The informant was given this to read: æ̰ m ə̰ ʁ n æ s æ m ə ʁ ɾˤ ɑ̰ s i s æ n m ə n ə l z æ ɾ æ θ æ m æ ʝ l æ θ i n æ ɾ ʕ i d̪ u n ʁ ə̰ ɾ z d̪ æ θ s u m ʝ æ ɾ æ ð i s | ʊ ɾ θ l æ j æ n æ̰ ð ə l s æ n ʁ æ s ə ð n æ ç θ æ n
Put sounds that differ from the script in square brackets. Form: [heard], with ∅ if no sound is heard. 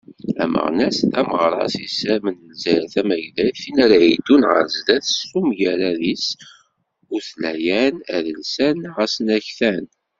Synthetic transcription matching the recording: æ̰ m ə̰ ʁ n æ s æ m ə ʁ ɾˤ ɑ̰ s i s æ [∅] m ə n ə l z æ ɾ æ θ æ m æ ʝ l æ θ i n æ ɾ ʕ i d̪ u n ʁ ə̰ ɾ z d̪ æ θ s u m ʝ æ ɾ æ ð i s | ʊ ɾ θ l æ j æ n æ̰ ð ə l s æ n ʁ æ s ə [∅] n æ ç θ æ n